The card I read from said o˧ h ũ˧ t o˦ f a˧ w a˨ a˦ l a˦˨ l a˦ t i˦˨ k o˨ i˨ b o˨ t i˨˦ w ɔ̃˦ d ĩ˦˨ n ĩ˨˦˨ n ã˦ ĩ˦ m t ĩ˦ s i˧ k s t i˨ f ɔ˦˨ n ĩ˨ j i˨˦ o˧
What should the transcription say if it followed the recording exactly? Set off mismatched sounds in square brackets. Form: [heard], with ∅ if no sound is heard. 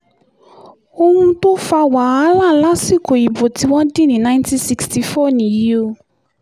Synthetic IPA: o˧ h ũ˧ t o˦ f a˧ w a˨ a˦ l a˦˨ l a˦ [s] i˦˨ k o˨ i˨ b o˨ t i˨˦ w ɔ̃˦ d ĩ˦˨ n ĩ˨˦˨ n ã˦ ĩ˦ [n] t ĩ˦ s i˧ k s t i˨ f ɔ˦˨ n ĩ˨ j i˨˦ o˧